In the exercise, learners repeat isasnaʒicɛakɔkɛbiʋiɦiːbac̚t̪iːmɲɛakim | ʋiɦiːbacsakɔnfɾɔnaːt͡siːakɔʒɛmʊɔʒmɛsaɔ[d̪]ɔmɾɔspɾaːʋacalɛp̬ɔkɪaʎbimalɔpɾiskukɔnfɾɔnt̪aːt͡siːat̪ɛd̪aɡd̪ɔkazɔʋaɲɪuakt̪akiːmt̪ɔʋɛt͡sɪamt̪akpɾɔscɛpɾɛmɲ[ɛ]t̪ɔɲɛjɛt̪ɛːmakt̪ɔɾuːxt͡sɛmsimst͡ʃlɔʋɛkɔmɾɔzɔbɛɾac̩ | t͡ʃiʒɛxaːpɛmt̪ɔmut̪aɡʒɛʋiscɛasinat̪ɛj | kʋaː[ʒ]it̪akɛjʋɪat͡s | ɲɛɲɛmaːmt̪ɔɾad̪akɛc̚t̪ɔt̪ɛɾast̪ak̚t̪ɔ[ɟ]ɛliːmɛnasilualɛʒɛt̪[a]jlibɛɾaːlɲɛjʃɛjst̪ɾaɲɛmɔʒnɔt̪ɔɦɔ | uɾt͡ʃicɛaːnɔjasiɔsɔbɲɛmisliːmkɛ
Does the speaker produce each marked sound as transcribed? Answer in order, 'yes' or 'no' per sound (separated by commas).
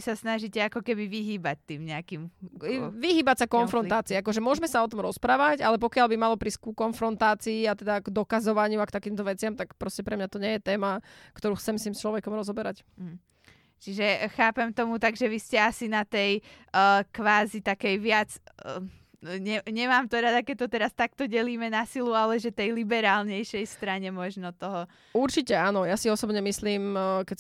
no, no, no, yes, no